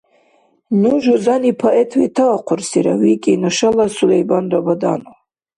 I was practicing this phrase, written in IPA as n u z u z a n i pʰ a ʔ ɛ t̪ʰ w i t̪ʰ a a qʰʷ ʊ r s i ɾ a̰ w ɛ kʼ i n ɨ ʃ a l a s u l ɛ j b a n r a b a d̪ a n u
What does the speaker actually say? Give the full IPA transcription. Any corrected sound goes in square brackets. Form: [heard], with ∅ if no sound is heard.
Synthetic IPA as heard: n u [ʒ] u z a n i pʰ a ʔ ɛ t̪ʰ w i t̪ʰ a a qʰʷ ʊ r s i ɾ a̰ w [i] kʼ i n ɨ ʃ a l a s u l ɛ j b a n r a b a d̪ a n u